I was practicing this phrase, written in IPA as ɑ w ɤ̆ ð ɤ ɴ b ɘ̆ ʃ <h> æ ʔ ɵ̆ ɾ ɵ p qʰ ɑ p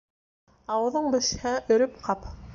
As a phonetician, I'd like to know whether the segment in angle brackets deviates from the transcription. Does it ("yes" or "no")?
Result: no